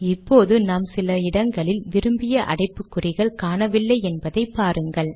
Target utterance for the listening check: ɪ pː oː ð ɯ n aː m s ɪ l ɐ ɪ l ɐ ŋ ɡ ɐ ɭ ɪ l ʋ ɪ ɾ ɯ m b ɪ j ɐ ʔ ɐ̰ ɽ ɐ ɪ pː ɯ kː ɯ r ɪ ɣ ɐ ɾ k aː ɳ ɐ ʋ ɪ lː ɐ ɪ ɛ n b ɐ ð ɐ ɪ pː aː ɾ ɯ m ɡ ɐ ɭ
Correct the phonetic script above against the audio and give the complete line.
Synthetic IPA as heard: ɪ pː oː ð ɯ n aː m s ɪ l ɐ ɪ ɽ ɐ ŋ ɡ ɐ ɭ ɪ l ʋ ɪ ɾ ɯ m b ɪ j ɐ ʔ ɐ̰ ɽ ɐ ɪ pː ɯ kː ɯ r ɪ ɣ ɐ ɭ k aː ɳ ɐ ʋ ɪ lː ɐ ɪ ɛ n b ɐ ð ɐ ɪ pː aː ɾ ɯ ŋ ɡ ɐ ɭ

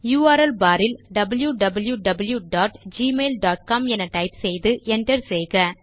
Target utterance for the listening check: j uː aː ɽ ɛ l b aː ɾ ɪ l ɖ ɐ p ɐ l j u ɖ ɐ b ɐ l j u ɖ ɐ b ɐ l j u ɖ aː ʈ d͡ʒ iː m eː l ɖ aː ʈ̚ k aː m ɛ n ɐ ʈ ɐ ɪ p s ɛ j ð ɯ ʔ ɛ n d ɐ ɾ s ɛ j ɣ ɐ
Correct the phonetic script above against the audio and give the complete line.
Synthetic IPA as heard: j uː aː ɾ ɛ l b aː ɾ ɪ l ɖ ɐ b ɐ l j u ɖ ɐ b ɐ l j u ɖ ɐ b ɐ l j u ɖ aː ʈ d͡ʒ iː m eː l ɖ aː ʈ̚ k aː m ɛ n ɐ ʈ ɐ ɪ p s ɛ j ð ɯ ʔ ɛ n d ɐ ɾ s ɛ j ɣ ɐ

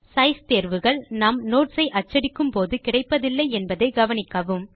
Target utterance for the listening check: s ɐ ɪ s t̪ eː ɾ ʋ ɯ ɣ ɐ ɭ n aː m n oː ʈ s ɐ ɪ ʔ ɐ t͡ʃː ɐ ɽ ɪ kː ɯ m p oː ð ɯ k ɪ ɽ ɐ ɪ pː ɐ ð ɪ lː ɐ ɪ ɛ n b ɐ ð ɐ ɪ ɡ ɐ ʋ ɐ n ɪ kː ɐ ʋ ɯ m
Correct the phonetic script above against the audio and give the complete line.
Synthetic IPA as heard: s ɐ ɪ s t̪ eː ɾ ʋ ɯ ɣ ɐ ɭ n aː m n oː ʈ s ɐ ɪ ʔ ɐ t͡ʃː ɐ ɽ ɪ kː ɯ m p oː ð ɯ k ɪ ɽ ɐ ɪ pː ɐ ð ɪ lː ɐ ɪ ɛ n b ɐ ð ɐ ɪ ɡ ɐ ʋ ɐ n ɪ kː ɐ ʋ ɯ m

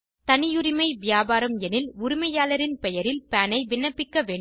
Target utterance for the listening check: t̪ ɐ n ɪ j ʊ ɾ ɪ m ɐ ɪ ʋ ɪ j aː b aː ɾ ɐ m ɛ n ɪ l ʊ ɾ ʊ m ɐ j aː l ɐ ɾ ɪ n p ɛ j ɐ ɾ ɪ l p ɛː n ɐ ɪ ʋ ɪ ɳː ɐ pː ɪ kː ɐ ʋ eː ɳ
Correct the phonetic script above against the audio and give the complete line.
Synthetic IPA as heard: t̪ ɐ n ɪ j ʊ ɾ ɪ m ɐ ɪ ʋ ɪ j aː b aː ɾ ɐ m ɛ n ɪ l ʊ ɾ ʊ m ɐ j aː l ɐ ɾ ɪ n p ɛ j ɐ ɾ ɪ l p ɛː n ɐ ɪ ʋ ɪ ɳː ɐ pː ɪ kː ɐ ʋ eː ɳ

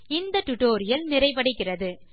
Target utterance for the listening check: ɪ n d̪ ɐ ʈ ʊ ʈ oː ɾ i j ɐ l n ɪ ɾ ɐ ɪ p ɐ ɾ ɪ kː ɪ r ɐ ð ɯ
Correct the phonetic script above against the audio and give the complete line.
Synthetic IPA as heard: ɪ n d̪ ɐ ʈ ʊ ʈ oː ɾ ɪ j ɐ l n ɪ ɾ ɐ ɪ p ɐ ɽ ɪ kː ɪ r ɐ ð ɯ

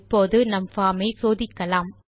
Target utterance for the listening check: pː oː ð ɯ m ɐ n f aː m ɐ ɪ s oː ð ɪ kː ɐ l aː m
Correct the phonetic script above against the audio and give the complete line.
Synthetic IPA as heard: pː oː ð ɯ n ɐ m f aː m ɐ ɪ s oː ð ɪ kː ɐ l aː m

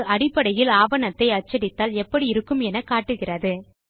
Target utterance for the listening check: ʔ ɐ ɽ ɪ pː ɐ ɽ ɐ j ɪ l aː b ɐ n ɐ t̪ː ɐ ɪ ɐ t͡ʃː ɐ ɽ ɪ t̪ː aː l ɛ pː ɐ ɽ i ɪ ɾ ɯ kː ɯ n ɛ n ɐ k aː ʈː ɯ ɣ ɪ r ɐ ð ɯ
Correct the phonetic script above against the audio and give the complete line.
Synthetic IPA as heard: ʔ ɐ ɽ ɪ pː ɐ ɽ ɐ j ɪ l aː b ɐ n ɐ t̪ː ɐ ɪ ɐ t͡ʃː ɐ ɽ ɪ t̪ː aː l ɛ pː ɐ ɽ i ɪ ɾ ɯ kː ɯ m ɛ n ɐ k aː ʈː ɯ ɣ ɪ r ɐ ð ɯ

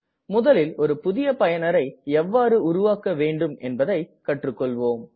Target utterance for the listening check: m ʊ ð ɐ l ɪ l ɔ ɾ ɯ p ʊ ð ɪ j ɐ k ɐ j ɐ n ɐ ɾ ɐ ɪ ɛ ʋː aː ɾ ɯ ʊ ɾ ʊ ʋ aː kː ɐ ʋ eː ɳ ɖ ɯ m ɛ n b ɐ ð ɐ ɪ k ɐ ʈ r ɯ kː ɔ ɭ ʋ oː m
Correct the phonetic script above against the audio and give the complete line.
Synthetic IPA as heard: m ʊ ð ɐ l ɪ l ɔ ɾ ɯ p ʊ ð ɪ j ɐ p ɐ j ɐ n ɐ ɾ ɐ ɪ ɛ ʋː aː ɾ ɯ ʊ ɾ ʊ ʋ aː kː ɐ ʋ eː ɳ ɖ ɯ m ɛ n b ɐ ð ɐ ɪ k ɐ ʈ r ɯ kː ɔ ɭ ʋ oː m

